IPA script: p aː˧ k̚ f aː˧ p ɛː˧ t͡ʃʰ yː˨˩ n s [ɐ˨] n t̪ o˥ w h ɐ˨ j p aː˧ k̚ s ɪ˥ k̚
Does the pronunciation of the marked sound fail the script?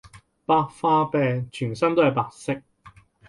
yes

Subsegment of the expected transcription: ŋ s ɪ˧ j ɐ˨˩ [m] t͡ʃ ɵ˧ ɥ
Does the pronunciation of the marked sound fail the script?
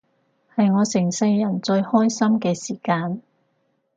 yes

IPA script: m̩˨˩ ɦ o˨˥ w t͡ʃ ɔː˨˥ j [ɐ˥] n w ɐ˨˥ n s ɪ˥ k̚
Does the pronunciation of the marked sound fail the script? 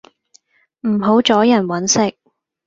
yes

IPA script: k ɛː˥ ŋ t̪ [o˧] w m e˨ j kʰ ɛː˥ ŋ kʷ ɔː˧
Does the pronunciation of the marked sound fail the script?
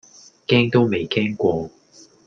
yes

